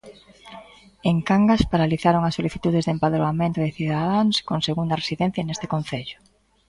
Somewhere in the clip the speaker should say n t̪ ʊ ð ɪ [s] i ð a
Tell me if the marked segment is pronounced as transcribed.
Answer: no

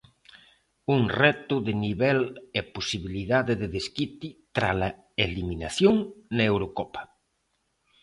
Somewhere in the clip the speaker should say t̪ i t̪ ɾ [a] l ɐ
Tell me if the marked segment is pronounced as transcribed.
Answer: yes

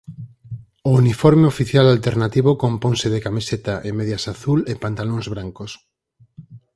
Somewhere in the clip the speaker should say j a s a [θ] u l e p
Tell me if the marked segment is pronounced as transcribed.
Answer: yes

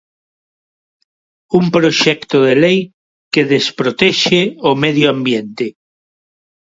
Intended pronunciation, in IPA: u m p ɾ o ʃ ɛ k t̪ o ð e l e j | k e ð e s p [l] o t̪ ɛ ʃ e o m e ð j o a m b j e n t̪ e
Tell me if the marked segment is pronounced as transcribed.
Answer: no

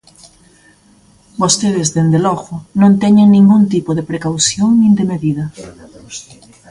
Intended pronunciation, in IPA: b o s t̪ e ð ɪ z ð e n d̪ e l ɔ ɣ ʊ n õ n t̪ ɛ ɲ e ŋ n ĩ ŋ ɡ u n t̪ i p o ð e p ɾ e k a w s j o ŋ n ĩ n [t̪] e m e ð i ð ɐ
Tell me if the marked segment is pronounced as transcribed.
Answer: no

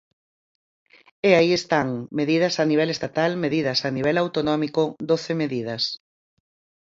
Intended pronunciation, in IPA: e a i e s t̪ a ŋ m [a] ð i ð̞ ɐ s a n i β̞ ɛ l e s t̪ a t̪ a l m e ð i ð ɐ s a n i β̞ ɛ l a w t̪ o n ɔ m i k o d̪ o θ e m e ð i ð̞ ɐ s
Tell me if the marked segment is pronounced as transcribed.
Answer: no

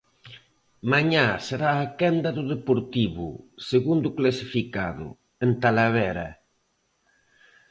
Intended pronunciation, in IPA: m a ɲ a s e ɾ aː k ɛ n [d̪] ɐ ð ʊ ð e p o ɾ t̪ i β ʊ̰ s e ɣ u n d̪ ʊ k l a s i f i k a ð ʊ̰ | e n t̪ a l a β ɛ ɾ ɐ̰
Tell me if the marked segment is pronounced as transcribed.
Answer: yes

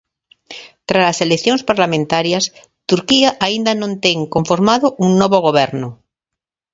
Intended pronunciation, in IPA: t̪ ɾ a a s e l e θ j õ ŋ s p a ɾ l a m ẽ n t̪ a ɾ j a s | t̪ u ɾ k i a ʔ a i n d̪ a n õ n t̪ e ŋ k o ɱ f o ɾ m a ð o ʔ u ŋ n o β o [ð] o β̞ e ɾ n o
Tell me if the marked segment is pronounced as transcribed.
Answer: no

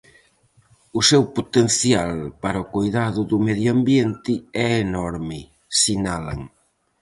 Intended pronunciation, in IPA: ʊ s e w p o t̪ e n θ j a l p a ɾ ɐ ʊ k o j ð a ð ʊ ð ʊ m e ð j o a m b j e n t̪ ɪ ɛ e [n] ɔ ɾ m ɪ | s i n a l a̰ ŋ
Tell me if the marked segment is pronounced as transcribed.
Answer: yes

